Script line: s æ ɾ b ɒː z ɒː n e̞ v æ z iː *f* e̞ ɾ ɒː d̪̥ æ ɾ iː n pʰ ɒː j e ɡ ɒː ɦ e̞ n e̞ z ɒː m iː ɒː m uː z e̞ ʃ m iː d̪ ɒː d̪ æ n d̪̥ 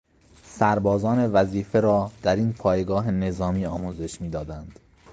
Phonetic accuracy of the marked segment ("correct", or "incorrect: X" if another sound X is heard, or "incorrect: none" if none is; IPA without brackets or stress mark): correct